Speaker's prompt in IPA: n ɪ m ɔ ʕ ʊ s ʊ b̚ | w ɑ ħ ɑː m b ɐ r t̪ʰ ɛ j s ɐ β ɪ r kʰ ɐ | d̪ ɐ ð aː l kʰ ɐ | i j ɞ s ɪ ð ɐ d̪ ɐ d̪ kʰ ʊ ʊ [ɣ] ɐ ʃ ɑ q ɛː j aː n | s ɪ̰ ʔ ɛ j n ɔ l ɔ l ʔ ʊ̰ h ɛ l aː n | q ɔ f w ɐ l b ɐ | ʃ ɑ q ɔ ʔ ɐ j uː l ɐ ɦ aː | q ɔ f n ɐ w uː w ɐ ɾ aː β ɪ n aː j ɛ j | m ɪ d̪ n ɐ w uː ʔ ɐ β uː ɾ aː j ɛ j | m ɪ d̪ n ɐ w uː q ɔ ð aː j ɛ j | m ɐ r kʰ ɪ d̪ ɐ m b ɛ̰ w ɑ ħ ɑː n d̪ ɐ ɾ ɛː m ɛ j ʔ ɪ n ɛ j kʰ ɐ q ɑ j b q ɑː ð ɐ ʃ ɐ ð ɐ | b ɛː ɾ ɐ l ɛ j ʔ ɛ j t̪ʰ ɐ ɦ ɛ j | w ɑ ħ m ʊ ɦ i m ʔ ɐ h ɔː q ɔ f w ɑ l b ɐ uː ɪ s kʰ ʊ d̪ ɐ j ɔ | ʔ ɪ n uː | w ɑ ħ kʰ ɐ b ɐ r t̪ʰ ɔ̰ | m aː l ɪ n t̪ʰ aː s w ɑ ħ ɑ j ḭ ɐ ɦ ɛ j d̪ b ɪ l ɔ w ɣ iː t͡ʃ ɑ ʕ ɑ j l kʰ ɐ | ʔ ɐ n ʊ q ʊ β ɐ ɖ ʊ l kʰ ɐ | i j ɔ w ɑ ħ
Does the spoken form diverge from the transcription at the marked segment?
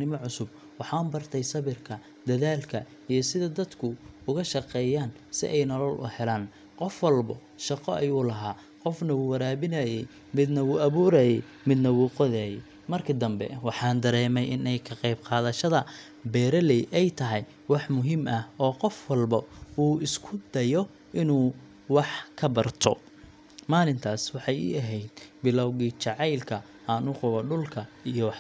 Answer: no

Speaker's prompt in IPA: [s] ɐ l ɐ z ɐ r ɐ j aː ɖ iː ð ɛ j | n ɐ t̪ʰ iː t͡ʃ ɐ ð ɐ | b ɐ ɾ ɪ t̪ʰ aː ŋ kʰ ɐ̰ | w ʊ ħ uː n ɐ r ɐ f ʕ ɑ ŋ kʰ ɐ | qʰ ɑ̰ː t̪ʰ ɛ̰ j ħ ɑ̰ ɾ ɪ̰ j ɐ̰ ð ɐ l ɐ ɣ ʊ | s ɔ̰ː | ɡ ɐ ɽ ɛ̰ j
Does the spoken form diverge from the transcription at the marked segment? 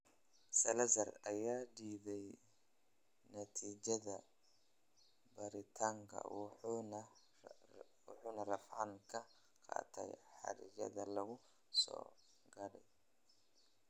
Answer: no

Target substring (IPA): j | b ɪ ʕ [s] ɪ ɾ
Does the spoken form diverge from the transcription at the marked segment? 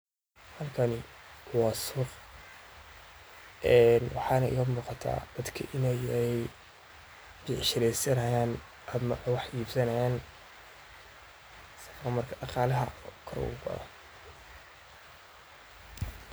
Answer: yes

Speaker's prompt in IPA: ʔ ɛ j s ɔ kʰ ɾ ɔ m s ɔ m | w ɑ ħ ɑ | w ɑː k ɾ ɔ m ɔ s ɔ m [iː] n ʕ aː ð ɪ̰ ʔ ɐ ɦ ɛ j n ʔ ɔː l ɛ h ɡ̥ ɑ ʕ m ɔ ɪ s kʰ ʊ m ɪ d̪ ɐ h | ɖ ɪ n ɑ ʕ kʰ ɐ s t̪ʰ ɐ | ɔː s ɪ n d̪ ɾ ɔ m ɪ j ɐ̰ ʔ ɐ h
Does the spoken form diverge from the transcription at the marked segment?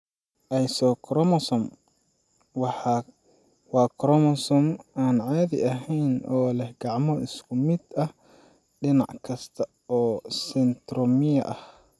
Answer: yes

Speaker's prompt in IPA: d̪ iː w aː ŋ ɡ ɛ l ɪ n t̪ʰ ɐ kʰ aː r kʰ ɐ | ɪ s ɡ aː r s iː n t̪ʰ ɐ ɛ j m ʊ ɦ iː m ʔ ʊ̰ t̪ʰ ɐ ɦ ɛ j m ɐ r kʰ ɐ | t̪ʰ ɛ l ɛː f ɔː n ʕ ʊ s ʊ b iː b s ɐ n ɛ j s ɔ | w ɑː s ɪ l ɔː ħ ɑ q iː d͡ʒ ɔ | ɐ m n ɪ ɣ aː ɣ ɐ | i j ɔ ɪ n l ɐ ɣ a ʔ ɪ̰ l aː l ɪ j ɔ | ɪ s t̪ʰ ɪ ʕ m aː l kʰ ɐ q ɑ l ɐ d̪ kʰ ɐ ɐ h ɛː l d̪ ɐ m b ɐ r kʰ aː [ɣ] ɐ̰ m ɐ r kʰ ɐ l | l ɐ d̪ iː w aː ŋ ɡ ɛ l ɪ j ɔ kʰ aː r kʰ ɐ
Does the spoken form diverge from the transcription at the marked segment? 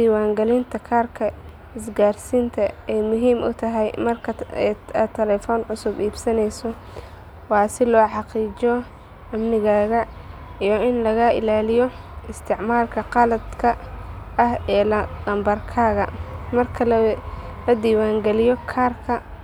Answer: no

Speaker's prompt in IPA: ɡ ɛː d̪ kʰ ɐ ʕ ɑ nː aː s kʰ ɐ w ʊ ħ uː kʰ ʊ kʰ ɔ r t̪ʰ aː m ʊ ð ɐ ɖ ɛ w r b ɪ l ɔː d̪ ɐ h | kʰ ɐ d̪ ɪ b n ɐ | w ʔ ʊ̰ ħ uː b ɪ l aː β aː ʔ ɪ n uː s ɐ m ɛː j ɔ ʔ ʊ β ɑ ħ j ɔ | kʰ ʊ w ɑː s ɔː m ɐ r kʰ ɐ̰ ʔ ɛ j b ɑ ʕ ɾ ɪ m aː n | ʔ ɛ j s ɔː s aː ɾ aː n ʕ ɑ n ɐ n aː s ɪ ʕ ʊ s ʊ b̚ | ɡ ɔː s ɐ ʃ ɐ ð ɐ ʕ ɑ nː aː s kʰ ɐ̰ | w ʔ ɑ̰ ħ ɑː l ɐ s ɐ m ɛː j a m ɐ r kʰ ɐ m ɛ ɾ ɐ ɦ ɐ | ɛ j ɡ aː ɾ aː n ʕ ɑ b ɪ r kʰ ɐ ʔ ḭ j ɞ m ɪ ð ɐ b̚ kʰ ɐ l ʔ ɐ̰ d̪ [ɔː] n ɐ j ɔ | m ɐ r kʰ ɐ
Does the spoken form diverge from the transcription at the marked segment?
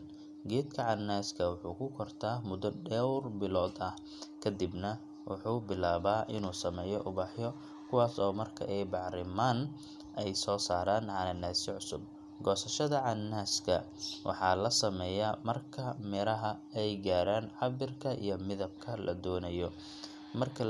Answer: no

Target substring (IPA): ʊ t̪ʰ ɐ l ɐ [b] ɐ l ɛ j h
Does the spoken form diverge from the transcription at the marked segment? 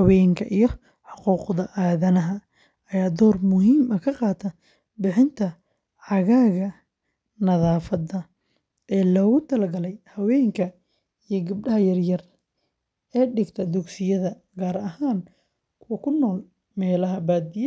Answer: yes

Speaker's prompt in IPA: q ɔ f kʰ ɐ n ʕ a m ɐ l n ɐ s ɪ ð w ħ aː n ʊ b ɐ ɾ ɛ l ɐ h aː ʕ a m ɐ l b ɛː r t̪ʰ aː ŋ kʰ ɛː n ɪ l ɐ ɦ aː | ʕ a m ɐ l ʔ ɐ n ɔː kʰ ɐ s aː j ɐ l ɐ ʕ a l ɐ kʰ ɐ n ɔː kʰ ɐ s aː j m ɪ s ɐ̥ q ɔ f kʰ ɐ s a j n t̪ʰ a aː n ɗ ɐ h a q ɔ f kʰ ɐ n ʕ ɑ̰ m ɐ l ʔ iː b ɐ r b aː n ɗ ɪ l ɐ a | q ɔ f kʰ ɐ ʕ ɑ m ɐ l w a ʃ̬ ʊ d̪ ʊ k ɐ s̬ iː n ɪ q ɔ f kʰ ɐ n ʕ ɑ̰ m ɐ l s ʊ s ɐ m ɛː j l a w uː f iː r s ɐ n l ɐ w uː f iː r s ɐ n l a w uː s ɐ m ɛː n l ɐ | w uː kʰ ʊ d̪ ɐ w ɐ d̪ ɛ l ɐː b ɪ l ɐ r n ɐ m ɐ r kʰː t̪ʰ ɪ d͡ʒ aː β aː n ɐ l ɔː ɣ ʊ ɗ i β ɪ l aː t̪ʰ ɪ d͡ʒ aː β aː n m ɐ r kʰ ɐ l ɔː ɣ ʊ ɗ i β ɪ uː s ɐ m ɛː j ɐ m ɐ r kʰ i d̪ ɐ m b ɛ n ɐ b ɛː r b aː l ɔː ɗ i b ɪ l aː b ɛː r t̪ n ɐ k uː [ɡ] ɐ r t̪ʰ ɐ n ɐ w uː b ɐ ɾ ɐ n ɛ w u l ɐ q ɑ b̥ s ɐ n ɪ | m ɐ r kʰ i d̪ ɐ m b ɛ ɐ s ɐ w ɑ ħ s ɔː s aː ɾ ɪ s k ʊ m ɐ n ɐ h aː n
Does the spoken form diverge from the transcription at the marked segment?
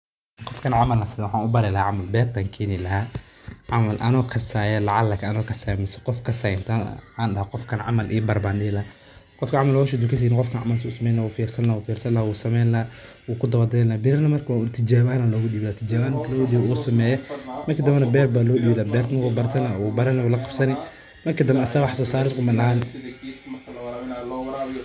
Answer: yes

